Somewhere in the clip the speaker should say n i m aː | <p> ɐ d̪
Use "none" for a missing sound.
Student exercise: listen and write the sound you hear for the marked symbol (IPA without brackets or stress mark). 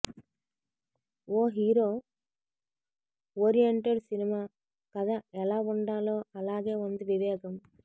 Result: k